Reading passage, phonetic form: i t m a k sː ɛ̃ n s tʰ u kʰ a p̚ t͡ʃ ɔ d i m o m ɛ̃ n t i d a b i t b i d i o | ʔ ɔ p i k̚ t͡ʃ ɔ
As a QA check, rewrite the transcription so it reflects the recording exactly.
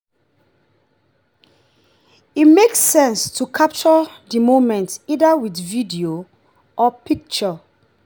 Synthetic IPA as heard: i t m e k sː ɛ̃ n s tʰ u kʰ a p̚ t͡ʃ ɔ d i m o m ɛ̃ n t i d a w i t v i d i o | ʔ ɔ p i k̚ t͡ʃ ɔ